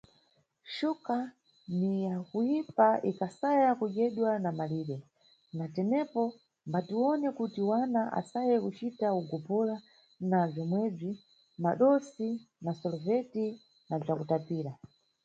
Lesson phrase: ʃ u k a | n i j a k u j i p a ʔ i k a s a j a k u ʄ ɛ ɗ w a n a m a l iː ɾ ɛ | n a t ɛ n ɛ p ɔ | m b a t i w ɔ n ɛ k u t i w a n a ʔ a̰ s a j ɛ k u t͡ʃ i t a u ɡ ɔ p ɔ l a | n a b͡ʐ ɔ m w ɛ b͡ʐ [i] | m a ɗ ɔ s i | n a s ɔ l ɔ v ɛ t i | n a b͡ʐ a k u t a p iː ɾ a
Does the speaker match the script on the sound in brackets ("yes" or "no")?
yes